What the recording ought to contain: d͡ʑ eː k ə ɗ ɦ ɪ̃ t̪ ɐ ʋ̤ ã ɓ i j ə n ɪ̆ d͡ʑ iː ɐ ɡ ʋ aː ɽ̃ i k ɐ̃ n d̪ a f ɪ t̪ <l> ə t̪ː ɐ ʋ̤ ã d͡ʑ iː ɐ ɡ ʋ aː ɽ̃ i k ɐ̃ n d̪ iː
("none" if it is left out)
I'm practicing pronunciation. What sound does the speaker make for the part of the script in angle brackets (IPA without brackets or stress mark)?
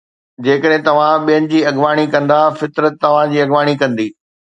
ɾ